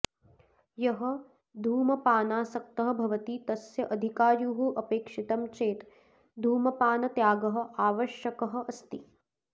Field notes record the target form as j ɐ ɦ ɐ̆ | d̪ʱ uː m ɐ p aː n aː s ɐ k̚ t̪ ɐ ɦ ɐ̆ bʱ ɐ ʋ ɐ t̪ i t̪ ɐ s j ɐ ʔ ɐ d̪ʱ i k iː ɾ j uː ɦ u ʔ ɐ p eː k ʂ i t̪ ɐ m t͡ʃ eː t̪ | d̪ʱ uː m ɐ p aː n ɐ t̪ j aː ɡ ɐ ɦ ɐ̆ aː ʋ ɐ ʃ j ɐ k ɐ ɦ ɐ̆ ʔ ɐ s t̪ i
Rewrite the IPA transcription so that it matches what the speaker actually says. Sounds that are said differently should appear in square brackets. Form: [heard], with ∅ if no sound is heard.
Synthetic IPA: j ɐ ɦ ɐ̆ | d̪ʱ uː m ɐ p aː n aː s ɐ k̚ t̪ ɐ ɦ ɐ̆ bʱ ɐ ʋ ɐ t̪ i t̪ ɐ s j ɐ ʔ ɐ d̪ʱ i k [aː] ɾ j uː ɦ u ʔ ɐ p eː k ʂ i t̪ ɐ m t͡ʃ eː t̪ | d̪ʱ uː m ɐ p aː n ɐ t̪ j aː ɡ ɐ ɦ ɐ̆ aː ʋ ɐ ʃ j ɐ k ɐ ɦ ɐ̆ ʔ ɐ s t̪ i

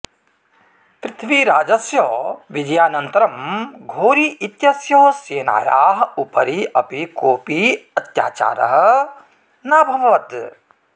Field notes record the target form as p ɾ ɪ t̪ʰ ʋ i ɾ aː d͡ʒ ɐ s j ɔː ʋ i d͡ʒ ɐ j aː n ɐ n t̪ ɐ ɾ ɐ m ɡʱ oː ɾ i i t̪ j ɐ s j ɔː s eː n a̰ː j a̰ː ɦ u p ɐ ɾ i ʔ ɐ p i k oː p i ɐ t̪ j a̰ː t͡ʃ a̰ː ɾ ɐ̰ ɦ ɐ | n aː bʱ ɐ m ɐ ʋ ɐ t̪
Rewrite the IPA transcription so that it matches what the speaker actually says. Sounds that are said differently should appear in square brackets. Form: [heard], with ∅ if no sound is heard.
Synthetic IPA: p ɾ ɪ t̪ʰ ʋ i ɾ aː d͡ʒ ɐ s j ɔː ʋ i d͡ʒ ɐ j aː n ɐ n t̪ ɐ ɾ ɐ m ɡʱ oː ɾ i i t̪ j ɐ s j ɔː s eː n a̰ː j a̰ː ɦ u p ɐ ɾ i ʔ ɐ p i k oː p i ɐ t̪ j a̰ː t͡ʃ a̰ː ɾ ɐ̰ ɦ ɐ | n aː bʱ ɐ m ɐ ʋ ɐ t̪

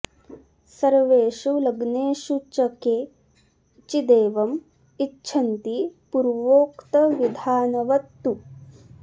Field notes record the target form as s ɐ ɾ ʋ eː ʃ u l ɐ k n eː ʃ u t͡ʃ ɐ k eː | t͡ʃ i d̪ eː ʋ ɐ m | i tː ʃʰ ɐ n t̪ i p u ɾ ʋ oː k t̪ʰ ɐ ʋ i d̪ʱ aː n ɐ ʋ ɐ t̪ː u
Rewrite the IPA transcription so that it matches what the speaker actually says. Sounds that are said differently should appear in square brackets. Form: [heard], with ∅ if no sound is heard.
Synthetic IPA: s ɐ ɾ ʋ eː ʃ u l ɐ [ɡ] n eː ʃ u t͡ʃ ɐ k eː | t͡ʃ i d̪ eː ʋ ɐ m | i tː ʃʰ ɐ n t̪ i p u ɾ ʋ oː k [t̪] ɐ ʋ i d̪ʱ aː n ɐ ʋ ɐ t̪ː u

